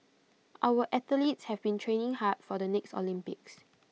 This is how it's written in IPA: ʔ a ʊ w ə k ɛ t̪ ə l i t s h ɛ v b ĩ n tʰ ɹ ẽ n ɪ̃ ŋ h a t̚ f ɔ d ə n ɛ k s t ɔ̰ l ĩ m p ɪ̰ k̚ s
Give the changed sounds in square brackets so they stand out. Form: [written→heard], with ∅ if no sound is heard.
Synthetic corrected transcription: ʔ a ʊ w ə [k→ʔ] ɛ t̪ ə l i t s h ɛ v b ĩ n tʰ ɹ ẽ n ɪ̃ ŋ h a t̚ f ɔ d ə n ɛ k s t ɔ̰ l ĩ m p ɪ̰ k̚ s